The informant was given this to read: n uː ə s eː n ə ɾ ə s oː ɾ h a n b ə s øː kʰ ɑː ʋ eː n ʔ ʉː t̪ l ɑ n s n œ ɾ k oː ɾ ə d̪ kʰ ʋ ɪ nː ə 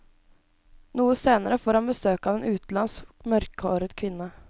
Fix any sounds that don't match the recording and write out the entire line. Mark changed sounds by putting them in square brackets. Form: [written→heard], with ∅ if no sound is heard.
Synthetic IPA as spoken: n uː ə s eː n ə ɾ ə [s→f] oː ɾ h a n b ə s øː [kʰ→k] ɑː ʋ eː n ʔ ʉː t̪ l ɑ n s [n→m] œ ɾ k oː ɾ ə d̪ kʰ ʋ ɪ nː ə